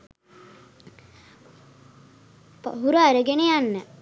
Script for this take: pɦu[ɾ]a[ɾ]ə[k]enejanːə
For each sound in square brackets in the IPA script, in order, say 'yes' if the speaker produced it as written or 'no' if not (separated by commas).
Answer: yes, yes, no